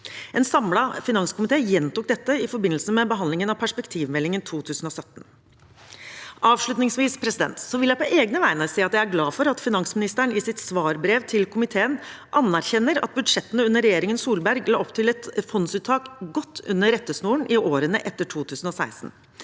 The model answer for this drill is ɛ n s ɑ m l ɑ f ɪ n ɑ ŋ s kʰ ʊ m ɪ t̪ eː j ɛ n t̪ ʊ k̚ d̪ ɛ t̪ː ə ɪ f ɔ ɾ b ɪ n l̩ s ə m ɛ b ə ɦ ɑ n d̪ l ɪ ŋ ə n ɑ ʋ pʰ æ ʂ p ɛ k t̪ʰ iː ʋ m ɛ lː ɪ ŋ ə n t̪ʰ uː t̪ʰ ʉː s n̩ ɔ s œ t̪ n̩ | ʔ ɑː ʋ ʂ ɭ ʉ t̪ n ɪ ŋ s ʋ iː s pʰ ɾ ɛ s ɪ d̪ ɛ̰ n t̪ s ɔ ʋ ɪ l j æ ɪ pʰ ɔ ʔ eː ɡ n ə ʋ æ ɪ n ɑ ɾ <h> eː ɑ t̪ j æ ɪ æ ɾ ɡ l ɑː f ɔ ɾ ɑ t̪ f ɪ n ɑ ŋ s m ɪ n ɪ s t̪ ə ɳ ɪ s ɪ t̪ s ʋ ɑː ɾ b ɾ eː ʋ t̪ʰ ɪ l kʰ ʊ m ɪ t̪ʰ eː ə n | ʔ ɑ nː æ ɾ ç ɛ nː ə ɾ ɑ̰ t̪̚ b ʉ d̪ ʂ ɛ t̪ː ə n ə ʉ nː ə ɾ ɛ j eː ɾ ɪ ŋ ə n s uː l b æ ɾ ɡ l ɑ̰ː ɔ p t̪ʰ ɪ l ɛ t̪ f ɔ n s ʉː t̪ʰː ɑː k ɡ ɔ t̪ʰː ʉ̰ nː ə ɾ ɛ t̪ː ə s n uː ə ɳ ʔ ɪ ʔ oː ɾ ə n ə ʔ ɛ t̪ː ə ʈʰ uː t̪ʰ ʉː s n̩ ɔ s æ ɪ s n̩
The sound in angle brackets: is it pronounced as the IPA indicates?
no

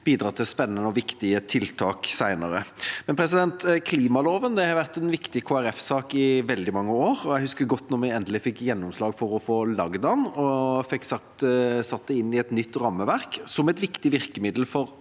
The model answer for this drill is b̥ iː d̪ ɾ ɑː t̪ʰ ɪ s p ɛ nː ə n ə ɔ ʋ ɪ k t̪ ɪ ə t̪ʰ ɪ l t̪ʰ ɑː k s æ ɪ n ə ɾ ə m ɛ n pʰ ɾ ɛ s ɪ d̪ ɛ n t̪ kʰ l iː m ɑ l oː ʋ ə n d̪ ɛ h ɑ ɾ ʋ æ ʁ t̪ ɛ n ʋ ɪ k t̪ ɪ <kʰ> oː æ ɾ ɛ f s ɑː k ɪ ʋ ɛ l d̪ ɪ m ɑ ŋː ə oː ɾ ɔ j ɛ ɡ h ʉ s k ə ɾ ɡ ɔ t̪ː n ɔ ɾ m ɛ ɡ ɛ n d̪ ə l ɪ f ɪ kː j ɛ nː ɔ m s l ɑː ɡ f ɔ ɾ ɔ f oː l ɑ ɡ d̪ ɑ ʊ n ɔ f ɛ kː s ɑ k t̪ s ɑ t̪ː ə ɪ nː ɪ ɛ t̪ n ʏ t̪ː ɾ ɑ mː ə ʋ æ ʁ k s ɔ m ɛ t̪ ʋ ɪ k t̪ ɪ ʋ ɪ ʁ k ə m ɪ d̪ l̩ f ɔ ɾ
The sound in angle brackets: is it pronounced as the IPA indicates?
yes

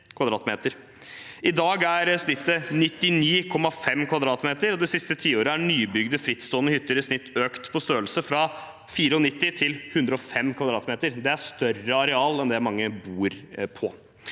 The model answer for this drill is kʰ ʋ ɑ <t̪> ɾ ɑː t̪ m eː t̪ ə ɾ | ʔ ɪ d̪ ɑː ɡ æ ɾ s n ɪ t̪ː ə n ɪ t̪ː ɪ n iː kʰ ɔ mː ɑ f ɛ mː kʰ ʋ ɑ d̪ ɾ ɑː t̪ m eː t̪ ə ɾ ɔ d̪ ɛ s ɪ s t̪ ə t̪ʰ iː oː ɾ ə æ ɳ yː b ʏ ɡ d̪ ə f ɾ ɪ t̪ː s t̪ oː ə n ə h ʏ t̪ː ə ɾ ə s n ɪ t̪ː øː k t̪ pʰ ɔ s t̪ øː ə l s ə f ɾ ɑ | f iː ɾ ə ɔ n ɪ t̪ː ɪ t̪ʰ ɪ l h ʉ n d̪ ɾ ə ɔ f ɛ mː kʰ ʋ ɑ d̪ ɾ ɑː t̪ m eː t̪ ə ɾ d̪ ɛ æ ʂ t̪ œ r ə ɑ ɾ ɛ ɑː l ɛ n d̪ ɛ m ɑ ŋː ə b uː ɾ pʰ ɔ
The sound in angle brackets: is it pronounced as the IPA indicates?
no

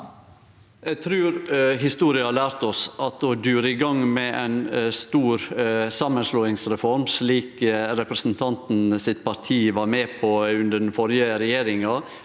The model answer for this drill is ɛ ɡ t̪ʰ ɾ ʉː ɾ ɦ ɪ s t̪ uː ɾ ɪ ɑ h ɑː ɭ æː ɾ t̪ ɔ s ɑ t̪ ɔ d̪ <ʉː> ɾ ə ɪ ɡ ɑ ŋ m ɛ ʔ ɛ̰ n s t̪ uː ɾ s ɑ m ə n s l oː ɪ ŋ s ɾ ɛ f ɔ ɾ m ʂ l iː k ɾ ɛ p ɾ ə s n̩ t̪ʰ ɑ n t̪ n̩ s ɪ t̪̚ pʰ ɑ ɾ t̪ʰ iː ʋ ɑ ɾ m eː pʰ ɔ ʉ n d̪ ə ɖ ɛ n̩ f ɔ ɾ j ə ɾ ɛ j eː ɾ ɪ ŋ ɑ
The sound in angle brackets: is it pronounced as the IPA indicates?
yes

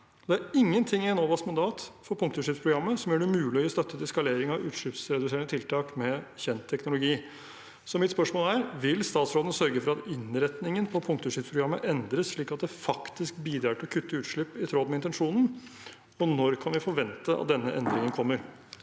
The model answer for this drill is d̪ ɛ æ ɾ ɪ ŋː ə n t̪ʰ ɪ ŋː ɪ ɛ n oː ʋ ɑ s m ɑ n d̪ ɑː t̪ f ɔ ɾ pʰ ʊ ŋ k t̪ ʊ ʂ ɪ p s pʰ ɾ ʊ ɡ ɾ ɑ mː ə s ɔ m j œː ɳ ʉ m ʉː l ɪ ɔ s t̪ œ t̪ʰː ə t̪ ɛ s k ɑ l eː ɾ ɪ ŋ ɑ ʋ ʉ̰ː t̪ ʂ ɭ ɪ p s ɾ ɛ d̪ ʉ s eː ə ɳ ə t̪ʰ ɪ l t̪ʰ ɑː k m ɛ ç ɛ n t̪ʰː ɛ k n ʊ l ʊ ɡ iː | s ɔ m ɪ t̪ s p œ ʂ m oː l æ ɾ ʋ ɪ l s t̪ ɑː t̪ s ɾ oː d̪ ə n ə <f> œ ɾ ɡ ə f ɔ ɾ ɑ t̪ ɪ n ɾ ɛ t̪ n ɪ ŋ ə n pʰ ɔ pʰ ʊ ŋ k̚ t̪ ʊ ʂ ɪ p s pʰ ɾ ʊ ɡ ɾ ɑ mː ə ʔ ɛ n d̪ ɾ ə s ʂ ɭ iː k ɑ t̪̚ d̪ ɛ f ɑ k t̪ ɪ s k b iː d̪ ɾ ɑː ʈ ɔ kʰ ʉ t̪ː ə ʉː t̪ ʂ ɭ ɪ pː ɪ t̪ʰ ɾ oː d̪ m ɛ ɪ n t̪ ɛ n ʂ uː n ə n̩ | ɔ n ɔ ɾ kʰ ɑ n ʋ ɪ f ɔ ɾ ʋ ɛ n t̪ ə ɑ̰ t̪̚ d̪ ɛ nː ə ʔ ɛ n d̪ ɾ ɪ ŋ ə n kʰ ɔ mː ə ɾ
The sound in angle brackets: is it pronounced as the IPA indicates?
no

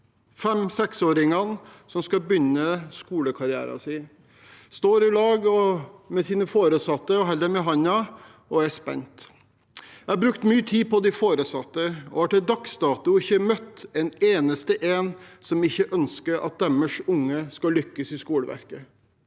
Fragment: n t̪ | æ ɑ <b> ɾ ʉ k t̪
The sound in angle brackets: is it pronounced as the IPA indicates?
yes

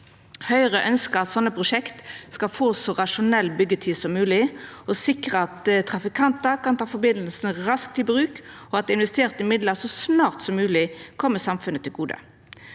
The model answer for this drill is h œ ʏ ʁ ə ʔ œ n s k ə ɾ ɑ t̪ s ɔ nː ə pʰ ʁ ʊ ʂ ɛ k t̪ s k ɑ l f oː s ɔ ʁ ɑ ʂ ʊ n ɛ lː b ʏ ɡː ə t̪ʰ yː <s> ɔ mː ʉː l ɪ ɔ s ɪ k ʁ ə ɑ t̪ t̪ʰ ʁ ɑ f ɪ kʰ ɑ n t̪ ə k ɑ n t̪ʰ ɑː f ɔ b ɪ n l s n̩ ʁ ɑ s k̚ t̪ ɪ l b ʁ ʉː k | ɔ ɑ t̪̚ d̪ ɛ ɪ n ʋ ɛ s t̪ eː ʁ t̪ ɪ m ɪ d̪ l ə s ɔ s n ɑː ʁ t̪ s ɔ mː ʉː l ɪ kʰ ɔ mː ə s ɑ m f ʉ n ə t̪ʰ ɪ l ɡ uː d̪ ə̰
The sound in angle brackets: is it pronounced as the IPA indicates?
yes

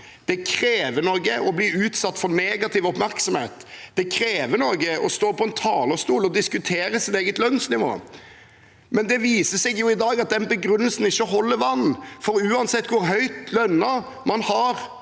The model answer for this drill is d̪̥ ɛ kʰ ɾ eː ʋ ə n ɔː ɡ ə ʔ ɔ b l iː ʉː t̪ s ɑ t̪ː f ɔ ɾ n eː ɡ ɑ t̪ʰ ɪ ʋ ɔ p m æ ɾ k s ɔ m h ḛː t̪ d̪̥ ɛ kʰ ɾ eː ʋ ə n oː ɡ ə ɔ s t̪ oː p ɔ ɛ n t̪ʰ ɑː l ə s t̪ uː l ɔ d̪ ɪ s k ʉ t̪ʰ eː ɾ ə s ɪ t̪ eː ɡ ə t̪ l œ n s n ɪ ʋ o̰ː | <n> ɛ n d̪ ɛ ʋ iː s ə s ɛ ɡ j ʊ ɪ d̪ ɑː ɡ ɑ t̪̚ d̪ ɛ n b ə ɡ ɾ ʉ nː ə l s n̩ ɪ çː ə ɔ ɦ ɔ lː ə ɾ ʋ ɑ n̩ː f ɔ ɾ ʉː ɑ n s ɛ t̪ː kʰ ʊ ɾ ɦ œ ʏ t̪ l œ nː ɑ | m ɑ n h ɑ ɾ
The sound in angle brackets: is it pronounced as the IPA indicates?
no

